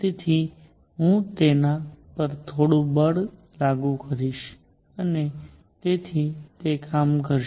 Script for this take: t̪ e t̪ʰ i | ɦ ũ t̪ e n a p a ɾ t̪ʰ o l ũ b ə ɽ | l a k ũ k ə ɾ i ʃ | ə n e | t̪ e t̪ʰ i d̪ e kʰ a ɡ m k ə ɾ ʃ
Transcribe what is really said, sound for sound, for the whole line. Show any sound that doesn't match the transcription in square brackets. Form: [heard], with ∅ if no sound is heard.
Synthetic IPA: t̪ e t̪ʰ i | ɦ ũ t̪ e n a p [ə] ɾ t̪ʰ o [ɽ] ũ b ə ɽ | l a [ɡ] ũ k ə ɾ i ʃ | ə n e | t̪ e t̪ʰ i [t̪] e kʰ a [∅] m k ə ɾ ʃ